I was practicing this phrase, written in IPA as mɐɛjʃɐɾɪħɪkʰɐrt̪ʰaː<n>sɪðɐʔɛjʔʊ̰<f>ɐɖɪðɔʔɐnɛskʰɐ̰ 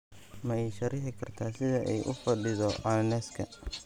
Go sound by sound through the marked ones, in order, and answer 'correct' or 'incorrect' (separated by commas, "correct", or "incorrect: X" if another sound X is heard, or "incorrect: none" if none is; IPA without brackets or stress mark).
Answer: incorrect: none, correct